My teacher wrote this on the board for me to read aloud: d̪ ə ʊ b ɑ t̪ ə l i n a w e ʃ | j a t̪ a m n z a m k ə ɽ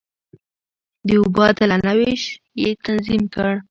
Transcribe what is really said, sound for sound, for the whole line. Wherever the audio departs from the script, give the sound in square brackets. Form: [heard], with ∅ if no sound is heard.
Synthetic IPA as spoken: d̪ ə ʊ b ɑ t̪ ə l [a] n a w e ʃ | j [e] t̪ a [∅] n z [i] m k ə ɽ